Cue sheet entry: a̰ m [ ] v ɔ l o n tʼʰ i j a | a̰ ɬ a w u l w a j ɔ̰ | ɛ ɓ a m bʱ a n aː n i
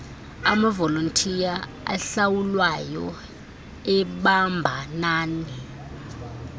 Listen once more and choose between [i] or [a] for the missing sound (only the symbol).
a